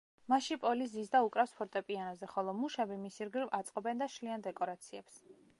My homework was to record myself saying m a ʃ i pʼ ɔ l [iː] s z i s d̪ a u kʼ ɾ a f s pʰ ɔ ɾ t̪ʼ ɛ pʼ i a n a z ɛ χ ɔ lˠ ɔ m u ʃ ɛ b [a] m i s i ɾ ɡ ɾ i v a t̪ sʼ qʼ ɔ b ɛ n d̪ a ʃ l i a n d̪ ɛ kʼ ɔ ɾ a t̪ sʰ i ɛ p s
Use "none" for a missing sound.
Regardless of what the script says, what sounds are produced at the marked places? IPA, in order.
i, i

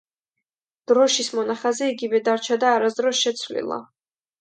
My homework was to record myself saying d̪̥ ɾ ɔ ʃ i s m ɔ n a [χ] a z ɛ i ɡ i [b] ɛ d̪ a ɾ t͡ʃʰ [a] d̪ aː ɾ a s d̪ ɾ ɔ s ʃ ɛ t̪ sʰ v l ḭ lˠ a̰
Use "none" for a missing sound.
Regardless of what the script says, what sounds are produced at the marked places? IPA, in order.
χ, v, a

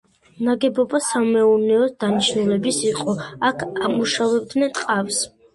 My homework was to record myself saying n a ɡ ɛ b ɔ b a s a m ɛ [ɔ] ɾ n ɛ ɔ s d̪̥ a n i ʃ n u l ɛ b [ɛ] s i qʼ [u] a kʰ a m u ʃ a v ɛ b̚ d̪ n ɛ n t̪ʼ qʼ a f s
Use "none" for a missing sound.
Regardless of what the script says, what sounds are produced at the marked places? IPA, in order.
u, i, ɔ

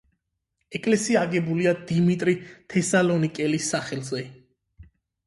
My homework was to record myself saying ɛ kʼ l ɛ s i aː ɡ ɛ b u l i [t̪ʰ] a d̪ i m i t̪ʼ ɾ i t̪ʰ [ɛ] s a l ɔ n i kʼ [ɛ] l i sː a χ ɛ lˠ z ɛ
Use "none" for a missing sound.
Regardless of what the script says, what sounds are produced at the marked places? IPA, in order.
none, ɛ, ɛ

